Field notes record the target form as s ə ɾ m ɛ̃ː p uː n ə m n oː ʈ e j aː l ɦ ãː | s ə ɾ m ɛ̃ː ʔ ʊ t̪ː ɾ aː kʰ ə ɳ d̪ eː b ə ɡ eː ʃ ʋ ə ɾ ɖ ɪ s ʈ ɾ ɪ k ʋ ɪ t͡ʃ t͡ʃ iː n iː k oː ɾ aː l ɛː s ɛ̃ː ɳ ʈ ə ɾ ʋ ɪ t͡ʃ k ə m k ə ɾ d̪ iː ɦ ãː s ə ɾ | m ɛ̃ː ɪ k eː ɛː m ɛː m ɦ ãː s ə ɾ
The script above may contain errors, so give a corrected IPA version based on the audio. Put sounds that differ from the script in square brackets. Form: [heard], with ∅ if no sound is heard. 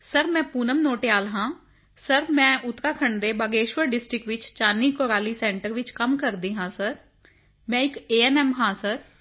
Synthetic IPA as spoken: s ə ɾ m ɛ̃ː p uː n ə m n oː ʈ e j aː l ɦ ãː | s ə ɾ m ɛ̃ː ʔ ʊ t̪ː ɾ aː kʰ ə ɳ d̪ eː b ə ɡ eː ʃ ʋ ə ɾ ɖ ɪ s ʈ ɾ ɪ k ʋ ɪ t͡ʃ t͡ʃ [aː] n iː k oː ɾ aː l [iː] s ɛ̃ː ɳ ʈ ə ɾ ʋ ɪ t͡ʃ k ə m k ə ɾ d̪ iː ɦ ãː s ə ɾ | m ɛ̃ː ɪ k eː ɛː [n] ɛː m ɦ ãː s ə ɾ